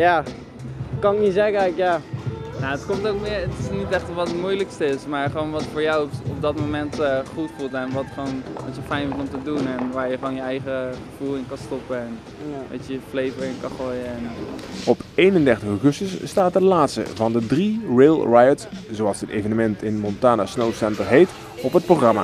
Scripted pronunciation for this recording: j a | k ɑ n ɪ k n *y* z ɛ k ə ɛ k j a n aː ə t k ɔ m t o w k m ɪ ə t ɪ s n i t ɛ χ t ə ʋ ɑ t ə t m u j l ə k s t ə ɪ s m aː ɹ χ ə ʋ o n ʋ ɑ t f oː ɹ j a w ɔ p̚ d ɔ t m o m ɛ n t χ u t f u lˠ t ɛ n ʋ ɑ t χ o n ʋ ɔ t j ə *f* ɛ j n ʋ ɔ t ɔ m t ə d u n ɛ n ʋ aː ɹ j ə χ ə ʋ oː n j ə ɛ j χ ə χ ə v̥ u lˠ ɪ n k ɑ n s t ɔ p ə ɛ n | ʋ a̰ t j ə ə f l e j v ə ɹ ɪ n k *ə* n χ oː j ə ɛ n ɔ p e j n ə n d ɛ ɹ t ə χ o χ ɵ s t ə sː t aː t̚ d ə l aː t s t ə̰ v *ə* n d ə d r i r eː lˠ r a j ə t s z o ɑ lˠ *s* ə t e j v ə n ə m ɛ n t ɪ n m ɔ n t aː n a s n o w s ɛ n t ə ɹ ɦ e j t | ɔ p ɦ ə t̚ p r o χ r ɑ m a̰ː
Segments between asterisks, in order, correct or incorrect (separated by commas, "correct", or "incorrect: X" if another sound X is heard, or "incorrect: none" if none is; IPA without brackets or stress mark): incorrect: i, correct, incorrect: ɑ, incorrect: ɑ, correct